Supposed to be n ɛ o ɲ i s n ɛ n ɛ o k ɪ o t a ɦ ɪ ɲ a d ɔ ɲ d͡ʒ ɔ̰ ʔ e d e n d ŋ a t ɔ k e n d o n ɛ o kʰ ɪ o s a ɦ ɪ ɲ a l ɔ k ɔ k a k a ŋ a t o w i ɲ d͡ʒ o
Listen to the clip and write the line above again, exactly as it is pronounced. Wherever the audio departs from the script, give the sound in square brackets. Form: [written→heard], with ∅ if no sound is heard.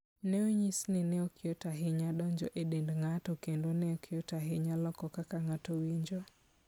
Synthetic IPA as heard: n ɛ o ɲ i s n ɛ n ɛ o k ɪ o t a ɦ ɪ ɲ a d ɔ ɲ d͡ʒ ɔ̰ ʔ e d e n d ŋ a t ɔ k e n d o n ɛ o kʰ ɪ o [s→t] a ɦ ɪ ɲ a l ɔ k ɔ k a k a ŋ a t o w i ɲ d͡ʒ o